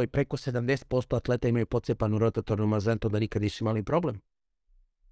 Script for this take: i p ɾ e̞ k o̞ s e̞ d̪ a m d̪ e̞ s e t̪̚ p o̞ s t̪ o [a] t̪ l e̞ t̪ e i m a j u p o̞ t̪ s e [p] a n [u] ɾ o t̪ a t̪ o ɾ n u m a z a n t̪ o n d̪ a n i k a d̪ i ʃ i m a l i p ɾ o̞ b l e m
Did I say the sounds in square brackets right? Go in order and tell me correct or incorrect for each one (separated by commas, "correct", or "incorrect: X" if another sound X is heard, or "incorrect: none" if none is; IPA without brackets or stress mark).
correct, correct, correct